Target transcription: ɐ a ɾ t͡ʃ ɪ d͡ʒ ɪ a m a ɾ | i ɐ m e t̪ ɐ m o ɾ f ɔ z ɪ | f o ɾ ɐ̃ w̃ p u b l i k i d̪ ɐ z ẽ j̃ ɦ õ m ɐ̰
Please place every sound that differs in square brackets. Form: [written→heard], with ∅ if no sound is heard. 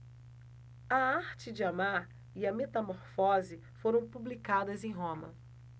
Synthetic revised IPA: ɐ a ɾ t͡ʃ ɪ d͡ʒ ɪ a m a ɾ | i ɐ m e t̪ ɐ m o ɾ f ɔ z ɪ | f o ɾ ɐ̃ w̃ p u b l i k [i→a] d̪ ɐ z ẽ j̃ ɦ õ m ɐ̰